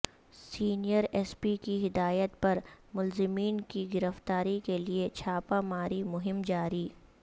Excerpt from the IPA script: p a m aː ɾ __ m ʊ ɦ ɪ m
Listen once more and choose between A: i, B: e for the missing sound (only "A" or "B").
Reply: A